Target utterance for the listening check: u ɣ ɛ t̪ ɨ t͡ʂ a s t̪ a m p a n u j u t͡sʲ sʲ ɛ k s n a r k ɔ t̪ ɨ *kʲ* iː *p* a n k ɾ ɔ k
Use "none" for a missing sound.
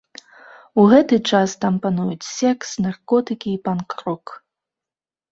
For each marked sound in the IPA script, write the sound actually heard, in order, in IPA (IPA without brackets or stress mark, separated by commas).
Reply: kʲ, p